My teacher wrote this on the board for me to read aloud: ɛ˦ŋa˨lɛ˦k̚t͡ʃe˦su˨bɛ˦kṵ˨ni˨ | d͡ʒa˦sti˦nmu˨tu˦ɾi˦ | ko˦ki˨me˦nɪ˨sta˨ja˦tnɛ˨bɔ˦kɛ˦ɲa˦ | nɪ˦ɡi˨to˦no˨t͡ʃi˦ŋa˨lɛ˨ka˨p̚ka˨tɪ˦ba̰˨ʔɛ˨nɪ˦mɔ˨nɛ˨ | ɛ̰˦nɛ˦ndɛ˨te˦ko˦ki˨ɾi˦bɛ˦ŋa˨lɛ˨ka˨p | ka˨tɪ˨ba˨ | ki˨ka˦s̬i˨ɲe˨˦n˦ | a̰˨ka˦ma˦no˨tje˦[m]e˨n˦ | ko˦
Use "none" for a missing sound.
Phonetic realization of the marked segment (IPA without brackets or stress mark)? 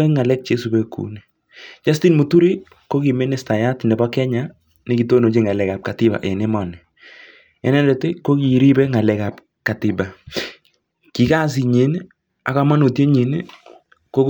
ɲ